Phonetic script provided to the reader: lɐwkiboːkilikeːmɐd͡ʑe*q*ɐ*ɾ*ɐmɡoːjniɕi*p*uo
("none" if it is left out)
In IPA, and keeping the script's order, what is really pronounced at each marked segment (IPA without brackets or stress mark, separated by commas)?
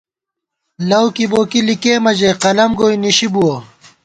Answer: q, l, b